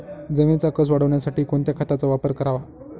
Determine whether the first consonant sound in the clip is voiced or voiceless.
voiced